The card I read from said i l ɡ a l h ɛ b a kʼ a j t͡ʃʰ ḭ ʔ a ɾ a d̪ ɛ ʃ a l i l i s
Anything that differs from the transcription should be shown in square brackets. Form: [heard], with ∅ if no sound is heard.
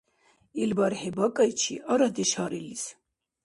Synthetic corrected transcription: i l [b] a [ɾ] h ɛ b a kʼ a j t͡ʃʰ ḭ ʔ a ɾ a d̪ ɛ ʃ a [ɾ] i l i s